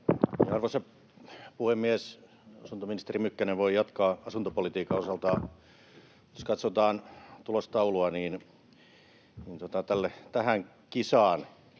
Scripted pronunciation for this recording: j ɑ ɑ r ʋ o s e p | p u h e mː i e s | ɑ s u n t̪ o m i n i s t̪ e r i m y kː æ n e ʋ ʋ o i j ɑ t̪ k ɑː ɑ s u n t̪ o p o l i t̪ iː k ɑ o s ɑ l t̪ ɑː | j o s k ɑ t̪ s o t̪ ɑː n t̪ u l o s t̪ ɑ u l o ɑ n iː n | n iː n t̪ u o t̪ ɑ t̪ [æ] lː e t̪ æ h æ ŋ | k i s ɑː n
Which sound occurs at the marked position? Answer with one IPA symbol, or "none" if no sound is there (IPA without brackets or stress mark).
æ